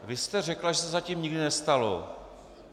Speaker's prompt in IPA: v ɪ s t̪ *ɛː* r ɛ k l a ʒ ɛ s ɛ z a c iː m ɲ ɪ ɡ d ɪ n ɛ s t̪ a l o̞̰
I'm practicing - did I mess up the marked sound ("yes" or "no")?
yes